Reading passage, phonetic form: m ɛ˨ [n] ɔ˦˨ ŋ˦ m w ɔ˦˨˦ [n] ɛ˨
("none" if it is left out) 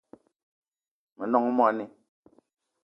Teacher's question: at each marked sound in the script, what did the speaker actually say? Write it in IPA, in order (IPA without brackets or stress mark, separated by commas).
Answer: n, n